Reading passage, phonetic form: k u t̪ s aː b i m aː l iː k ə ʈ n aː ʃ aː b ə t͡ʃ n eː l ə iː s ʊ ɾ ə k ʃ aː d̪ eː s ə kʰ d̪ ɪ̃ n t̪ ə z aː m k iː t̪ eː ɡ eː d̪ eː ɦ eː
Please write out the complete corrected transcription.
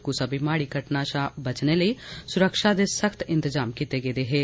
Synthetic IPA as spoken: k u s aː b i m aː ɽ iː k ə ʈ n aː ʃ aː b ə t͡ʃ n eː l ə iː s ʊ ɾ ə k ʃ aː d̪ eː s ə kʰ t̪ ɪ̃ n t̪ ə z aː m k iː t̪ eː ɡ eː d̪ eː ɦ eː